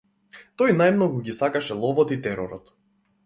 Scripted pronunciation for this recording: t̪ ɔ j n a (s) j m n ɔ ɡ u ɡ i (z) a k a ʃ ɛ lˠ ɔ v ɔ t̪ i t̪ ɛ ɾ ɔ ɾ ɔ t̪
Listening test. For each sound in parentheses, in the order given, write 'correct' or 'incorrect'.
incorrect, incorrect

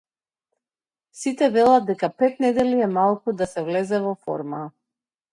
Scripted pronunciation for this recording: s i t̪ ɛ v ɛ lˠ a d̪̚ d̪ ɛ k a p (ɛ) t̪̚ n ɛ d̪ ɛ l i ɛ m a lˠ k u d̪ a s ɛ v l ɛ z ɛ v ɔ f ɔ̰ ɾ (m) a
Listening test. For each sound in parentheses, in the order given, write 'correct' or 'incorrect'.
correct, correct

